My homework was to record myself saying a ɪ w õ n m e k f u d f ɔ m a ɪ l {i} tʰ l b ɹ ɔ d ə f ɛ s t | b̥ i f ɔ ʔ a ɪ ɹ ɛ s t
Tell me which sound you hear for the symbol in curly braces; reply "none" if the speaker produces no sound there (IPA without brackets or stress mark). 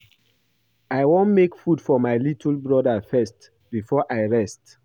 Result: i